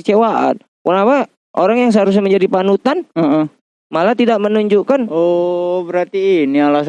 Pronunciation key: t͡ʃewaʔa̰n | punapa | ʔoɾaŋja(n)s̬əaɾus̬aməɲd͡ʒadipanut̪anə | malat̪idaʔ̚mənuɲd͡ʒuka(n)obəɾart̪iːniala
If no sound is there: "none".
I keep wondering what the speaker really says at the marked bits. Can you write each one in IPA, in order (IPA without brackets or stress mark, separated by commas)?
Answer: ŋ, n